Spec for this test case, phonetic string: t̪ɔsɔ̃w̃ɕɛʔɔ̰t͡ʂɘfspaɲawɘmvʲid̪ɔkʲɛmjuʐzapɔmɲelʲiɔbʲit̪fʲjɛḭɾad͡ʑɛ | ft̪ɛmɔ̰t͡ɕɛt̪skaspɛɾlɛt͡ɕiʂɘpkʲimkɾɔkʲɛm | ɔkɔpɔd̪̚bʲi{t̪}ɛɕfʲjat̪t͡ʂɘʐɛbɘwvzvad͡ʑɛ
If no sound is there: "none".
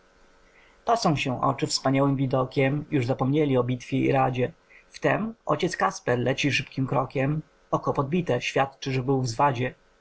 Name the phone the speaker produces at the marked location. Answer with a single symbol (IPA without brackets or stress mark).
t̪